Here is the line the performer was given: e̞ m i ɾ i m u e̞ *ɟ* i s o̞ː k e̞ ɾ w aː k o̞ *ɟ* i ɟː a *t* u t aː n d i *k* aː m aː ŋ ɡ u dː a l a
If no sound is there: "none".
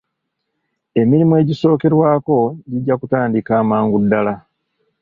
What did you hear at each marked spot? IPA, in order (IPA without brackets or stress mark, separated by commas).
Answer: ɟ, ɟ, k, k